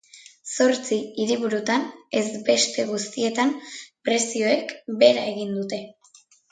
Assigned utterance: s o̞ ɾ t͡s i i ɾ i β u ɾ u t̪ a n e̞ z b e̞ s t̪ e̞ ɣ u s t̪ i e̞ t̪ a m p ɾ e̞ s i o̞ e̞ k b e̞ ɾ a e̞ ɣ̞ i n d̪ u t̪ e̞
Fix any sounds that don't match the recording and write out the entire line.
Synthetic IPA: s o̞ ɾ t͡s i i ɾ i β u ɾ u t̪ a n e̞ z b e̞ s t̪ e̞ ɣ u s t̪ i e̞ t̪ a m p ɾ e̞ s i o̞ e̞ k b e̞ ɾ a e̞ ɣ̞ i n d̪ u t̪ e̞

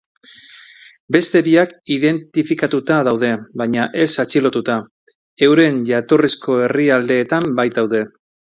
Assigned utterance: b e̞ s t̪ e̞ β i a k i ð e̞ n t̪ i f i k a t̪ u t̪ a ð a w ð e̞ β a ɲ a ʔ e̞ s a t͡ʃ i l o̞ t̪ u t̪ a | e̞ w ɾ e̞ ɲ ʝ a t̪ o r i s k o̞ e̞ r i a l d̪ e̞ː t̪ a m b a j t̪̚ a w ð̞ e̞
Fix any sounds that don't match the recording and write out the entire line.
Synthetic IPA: b e̞ s t̪ e̞ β i a k i ð e̞ n t̪ i f i k a t̪ u t̪ a ð a w ð e̞ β a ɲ a ʔ e̞ s a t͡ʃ i l o̞ t̪ u t̪ a | e̞ w ɾ e̞ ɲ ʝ a t̪ o r i s k o̞ e̞ r i a l d̪ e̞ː t̪ a m b a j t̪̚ a w ð̞ e̞

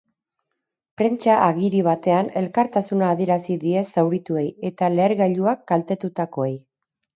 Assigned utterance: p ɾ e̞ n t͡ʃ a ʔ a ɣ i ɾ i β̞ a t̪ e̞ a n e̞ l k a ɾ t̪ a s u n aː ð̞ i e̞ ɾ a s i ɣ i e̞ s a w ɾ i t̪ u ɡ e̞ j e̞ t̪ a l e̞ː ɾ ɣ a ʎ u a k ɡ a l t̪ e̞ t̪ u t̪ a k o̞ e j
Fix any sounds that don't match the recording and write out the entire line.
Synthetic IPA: p ɾ e̞ n t͡ʃ a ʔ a ɣ i ɾ i β̞ a t̪ e̞ a n e̞ l k a ɾ t̪ a s u n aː ð̞ i e̞ ɾ a s i ð i e̞ s a w ɾ i t̪ u e̞ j e̞ t̪ a l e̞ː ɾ ɣ a ʎ u a k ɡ a l t̪ e̞ t̪ u t̪ a k o̞ e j

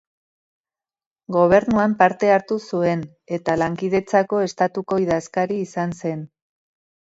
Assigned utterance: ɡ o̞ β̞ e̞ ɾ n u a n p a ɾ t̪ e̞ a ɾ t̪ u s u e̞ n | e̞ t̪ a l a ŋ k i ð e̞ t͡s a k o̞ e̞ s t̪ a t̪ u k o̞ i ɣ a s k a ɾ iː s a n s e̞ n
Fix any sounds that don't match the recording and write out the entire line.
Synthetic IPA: ɡ o̞ β̞ e̞ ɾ n u a m p a ɾ t̪ e̞ a ɾ t̪ u s u e̞ n | e̞ t̪ a l a ŋ k i ð e̞ t͡s a k o̞ e̞ s t̪ a t̪ u k o̞ i ð a s k a ɾ iː s a n s e̞ n

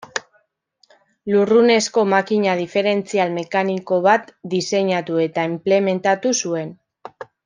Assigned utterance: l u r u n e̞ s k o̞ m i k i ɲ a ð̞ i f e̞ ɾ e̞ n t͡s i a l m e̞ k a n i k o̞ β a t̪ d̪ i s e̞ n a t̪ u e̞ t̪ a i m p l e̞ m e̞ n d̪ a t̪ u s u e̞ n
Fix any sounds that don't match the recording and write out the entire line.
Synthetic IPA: l u r u n e̞ s k o̞ m a k i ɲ a ð̞ i f e̞ ɾ e̞ n t͡s i a l m e̞ k a n i k o̞ β a t̪ d̪ i s e̞ ɲ a t̪ u e̞ t̪ a i m p l e̞ m e̞ n t̪ a t̪ u s u e̞ n

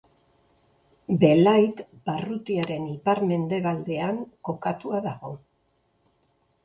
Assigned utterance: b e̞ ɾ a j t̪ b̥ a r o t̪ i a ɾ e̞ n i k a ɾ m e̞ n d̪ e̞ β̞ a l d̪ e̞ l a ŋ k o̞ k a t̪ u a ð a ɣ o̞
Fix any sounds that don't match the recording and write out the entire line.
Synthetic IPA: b e̞ l a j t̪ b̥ a r u t̪ i a ɾ e̞ n i p a ɾ m e̞ n d̪ e̞ β̞ a l d̪ e̞ a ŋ k o̞ k a t̪ u a ð a ɣ o̞

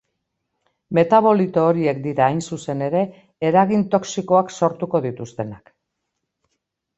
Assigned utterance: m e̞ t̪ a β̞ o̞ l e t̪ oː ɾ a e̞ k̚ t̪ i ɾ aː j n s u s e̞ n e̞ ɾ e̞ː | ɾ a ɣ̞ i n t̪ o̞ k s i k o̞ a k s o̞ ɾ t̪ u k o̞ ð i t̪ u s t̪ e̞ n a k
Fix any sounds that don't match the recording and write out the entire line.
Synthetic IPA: m e̞ t̪ a β̞ o̞ l i t̪ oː ɾ i e̞ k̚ d̪ i ɾ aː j n s u s e̞ n e̞ ɾ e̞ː | ɾ a ɣ̞ i n t̪ o̞ k s i k o̞ a k s o̞ ɾ t̪ u k o̞ ð i t̪ u s t̪ e̞ n a k

